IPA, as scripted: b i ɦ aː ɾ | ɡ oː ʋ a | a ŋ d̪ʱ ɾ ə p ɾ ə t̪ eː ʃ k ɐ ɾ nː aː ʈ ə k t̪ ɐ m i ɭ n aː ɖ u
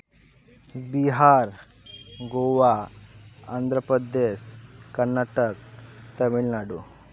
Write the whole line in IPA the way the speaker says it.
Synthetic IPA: b i ɦ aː ɾ | ɡ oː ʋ a | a n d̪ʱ ɾ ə p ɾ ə d̪ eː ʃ k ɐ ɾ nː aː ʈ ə k t̪ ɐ m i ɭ n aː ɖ u

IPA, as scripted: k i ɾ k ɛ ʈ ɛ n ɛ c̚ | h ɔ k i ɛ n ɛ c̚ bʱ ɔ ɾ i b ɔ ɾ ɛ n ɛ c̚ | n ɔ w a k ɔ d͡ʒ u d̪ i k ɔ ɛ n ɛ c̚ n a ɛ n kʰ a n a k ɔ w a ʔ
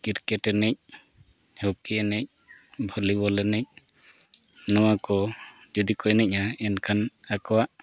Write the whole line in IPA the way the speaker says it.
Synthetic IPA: k i ɾ k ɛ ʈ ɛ n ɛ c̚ | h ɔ k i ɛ n ɛ c̚ bʱ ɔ l i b ɔ l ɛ n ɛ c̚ | n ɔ w a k ɔ d͡ʒ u d̪ i k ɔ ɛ n ɛ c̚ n a ɛ n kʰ a n a k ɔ w a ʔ

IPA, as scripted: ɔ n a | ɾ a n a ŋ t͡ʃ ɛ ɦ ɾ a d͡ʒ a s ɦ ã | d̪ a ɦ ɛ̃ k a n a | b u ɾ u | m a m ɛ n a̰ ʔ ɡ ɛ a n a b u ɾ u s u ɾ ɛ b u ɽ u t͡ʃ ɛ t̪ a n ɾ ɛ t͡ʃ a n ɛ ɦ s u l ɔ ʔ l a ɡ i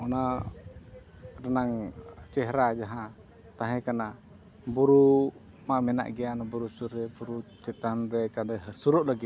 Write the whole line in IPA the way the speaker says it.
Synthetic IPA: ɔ n a | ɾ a n a ŋ t͡ʃ ɛ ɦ ɾ a d͡ʒ a ɦ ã | t̪ a ɦ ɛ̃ k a n a | b u ɾ u | m a m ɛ n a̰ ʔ ɡ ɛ a n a b u ɾ u s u ɾ ɛ b u ɾ u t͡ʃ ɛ t̪ a n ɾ ɛ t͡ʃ a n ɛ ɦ s u ɾ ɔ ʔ l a ɡ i

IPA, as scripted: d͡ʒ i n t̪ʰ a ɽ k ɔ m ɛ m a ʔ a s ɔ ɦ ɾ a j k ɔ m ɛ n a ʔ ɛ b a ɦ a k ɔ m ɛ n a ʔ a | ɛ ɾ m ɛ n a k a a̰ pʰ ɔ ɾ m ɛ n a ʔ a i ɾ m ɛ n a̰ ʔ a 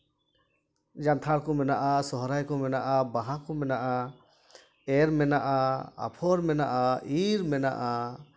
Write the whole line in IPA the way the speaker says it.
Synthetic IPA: d͡ʒ a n t̪ʰ a ɽ k ɔ m ɛ n a ʔ a s ɔ ɦ ɾ a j k ɔ m ɛ n a ʔ a b a ɦ a k ɔ m ɛ n a ʔ a | ɛ ɾ m ɛ n a ʔ a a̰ pʰ ɔ ɾ m ɛ n a ʔ a i ɾ m ɛ n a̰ ʔ a

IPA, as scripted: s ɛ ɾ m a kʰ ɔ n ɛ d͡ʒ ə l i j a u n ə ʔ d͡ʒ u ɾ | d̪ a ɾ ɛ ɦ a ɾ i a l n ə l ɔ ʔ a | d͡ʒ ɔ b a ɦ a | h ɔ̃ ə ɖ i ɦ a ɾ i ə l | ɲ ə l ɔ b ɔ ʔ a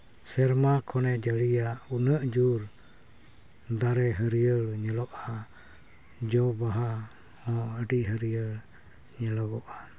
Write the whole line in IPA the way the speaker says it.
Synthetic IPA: s ɛ ɾ m a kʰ ɔ n ɛ d͡ʒ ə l i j a u n ə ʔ d͡ʒ u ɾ | d̪ a ɾ ɛ ɦ ə ɾ i ə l ɲ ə l ɔ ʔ a | d͡ʒ ɔ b a ɦ a | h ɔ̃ ə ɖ i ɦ ə ɾ i ə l | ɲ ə l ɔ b ɔ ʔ a

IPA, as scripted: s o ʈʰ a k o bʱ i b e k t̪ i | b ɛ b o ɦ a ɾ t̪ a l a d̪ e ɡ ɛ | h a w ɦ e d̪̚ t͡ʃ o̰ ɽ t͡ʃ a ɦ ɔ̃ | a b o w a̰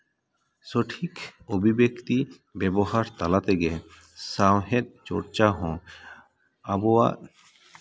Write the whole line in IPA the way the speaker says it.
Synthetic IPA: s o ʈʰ i k o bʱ i b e k t̪ i | b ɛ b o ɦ a ɾ t̪ a l a t̪ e ɡ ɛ | s a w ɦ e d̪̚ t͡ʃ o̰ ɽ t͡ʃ a ɦ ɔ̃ | a b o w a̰

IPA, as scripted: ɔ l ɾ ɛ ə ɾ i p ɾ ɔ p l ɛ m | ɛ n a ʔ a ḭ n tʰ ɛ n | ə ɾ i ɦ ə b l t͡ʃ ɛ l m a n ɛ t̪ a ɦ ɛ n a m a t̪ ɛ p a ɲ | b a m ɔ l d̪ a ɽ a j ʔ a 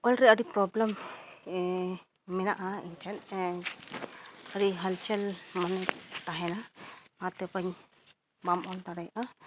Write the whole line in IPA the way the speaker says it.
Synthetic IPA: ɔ l ɾ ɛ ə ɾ i p ɾ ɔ b l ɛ m | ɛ n a ʔ a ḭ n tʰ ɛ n | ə ɾ i ɦ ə l t͡ʃ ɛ l m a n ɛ t̪ a ɦ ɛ n a m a t̪ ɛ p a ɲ | b a m ɔ l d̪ a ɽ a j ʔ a

